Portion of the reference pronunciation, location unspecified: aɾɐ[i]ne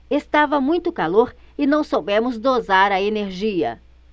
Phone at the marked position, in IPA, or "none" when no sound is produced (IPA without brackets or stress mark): e